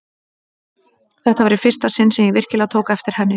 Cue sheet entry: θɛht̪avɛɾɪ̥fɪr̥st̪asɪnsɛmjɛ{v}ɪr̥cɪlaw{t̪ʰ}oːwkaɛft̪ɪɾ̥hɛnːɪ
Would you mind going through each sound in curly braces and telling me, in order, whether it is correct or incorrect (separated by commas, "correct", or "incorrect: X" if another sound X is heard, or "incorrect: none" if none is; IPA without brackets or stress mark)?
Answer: correct, correct